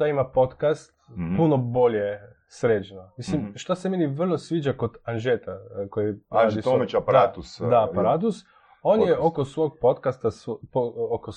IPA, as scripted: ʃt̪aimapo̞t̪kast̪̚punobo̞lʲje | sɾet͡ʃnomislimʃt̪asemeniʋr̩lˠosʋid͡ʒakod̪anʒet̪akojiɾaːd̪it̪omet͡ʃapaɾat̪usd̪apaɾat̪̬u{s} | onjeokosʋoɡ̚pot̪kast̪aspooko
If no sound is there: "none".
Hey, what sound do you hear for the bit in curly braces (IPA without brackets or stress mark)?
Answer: s